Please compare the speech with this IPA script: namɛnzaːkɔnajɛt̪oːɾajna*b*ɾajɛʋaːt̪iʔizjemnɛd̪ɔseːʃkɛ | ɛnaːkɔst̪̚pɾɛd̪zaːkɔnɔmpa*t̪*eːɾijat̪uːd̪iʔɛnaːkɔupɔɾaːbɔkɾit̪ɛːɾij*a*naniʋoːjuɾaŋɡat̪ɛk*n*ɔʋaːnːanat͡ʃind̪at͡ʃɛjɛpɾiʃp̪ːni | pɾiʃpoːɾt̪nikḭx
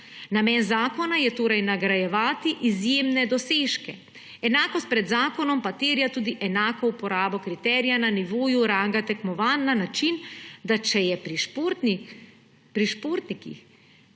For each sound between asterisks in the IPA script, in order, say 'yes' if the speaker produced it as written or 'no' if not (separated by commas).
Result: no, yes, yes, no